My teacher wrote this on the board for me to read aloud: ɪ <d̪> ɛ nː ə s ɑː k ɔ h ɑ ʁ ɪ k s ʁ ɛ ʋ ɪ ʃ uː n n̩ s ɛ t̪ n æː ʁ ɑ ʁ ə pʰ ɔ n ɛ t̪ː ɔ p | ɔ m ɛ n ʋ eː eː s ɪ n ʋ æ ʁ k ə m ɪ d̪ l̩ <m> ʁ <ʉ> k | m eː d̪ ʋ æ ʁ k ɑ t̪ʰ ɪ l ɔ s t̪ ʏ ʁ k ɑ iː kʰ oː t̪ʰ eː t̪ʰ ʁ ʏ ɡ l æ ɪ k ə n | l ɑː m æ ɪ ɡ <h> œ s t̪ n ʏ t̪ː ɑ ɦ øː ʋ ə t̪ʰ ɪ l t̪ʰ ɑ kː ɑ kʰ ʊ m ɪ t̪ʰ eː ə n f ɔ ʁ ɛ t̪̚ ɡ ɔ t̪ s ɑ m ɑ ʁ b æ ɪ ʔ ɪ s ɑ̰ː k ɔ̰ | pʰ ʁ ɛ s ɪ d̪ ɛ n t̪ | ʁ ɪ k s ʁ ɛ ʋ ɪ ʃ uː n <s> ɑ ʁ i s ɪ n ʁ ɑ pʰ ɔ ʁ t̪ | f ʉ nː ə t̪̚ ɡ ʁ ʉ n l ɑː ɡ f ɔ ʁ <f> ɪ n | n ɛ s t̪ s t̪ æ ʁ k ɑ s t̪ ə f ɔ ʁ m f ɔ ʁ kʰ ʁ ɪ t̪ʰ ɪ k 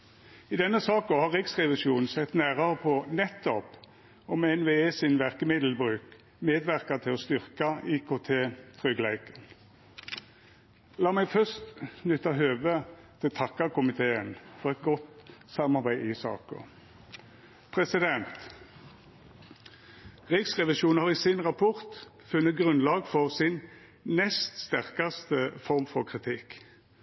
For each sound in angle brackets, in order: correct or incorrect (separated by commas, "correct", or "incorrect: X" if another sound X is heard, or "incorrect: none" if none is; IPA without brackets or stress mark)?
correct, incorrect: b, incorrect: ʉː, incorrect: f, incorrect: h, incorrect: s